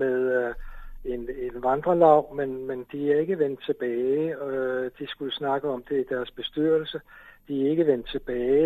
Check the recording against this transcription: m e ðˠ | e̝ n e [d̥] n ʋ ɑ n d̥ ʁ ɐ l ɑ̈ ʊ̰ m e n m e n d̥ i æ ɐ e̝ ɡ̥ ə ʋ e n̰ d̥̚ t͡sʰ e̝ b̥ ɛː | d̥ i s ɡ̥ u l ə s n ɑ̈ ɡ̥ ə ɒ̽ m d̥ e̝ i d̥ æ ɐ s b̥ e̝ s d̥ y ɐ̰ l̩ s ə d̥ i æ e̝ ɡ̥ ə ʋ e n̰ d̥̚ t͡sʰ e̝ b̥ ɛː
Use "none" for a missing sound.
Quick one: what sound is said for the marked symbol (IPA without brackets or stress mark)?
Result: none